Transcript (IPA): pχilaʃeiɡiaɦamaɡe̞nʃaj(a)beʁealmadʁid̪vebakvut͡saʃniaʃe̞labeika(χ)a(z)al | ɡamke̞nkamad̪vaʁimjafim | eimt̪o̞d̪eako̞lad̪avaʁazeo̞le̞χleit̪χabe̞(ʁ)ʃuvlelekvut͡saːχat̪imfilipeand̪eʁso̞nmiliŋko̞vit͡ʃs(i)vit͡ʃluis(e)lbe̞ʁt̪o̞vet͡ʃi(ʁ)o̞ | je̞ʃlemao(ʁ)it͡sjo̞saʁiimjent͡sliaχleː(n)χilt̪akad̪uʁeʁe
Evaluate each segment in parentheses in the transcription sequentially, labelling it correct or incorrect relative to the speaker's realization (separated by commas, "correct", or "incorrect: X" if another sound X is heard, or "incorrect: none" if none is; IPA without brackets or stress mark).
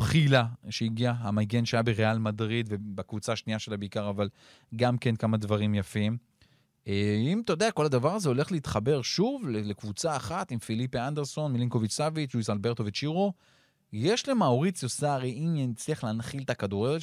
correct, incorrect: ʁ, incorrect: v, correct, incorrect: a, incorrect: a, correct, correct, correct